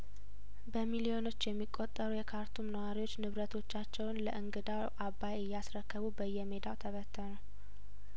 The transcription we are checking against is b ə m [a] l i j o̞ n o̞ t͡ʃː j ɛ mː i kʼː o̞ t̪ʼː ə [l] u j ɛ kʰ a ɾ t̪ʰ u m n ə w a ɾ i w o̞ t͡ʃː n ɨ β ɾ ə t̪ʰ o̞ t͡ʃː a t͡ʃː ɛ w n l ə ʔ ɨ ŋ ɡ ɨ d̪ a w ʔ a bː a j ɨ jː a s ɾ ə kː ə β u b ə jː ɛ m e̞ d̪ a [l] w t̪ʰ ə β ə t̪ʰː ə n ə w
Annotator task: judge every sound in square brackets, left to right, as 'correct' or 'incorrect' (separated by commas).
incorrect, incorrect, incorrect